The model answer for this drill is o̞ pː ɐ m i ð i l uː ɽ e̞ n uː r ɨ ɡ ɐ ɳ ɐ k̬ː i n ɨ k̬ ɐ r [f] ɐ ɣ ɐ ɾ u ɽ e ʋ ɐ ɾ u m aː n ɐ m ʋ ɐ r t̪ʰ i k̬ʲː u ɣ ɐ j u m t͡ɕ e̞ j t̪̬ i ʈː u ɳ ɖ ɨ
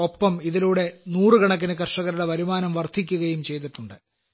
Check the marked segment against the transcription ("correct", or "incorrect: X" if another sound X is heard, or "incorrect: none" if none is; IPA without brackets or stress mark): incorrect: ʂ